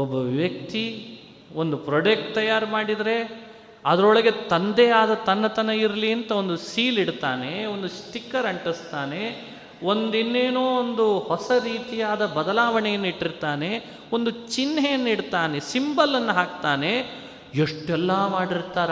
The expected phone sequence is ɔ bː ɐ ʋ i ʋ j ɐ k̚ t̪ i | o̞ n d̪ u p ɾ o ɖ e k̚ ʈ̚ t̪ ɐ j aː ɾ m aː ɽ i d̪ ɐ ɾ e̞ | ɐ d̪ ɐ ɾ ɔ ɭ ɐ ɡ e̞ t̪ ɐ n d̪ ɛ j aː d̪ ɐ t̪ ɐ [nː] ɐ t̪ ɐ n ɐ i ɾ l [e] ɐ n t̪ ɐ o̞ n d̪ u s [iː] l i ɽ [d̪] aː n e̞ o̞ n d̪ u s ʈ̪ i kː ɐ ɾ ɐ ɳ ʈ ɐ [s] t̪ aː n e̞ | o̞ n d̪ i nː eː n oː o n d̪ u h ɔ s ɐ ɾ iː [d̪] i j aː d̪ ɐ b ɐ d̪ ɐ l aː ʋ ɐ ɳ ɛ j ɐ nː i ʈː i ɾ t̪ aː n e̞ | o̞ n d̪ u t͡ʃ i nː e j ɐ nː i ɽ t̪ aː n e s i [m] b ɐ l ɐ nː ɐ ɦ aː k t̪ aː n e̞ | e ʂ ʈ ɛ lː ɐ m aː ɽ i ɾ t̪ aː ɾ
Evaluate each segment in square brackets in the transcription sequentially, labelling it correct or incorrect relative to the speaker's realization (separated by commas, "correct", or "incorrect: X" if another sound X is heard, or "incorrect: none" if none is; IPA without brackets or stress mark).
correct, incorrect: i, correct, incorrect: t̪, correct, incorrect: t̪, correct